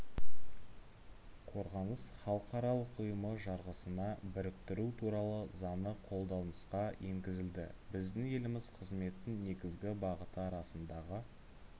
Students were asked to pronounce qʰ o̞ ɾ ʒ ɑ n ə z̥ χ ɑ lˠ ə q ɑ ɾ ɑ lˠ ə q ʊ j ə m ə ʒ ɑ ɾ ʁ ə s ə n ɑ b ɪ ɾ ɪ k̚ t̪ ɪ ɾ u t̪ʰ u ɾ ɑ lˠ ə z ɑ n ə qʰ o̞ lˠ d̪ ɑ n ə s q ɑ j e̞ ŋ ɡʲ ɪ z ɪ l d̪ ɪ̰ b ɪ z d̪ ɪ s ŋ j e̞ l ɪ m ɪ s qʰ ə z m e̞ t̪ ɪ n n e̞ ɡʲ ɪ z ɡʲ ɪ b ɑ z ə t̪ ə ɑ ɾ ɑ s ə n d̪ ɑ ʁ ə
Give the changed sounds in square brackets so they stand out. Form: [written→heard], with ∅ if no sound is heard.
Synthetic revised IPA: qʰ o̞ ɾ [ʒ→ʁ] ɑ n ə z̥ χ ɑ lˠ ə q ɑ ɾ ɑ lˠ ə q ʊ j ə m ə ʒ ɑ ɾ ʁ ə s ə n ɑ b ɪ ɾ ɪ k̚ t̪ ɪ ɾ u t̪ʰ u ɾ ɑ lˠ ə z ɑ n ə qʰ o̞ lˠ d̪ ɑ n ə s q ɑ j e̞ ŋ ɡʲ ɪ z ɪ l d̪ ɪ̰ b ɪ z d̪ ɪ [s→∅] ŋ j e̞ l ɪ m ɪ [s→z] qʰ ə z m e̞ t̪ ɪ n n e̞ ɡʲ ɪ z ɡʲ ɪ b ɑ [z→ʁ] ə t̪ ə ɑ ɾ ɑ s ə n d̪ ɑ ʁ ə